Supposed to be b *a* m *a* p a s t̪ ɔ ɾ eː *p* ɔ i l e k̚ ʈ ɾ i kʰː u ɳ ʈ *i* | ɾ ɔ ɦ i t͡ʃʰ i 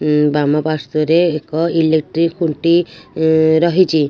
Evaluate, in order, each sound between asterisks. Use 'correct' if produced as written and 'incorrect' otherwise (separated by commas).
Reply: correct, correct, incorrect, correct